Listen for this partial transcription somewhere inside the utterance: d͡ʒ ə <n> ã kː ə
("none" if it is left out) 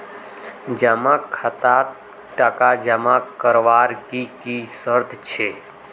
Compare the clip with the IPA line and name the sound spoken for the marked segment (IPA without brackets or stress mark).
m